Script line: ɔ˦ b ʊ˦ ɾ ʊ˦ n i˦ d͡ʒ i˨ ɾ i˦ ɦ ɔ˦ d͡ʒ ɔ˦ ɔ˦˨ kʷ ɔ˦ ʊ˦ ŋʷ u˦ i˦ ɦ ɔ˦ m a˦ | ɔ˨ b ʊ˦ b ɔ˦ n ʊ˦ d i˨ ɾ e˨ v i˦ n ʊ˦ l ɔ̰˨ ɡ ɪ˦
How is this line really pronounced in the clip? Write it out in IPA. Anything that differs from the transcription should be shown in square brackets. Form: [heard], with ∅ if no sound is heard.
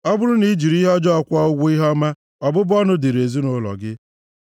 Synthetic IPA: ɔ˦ b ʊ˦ ɾ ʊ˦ n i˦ d͡ʒ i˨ ɾ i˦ ɦ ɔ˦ d͡ʒ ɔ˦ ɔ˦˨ kʷ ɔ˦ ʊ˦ [ɡʷ] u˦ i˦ ɦ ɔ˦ m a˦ | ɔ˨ b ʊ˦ b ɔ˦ n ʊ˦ d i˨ ɾ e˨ [z] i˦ n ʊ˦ l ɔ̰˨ ɡ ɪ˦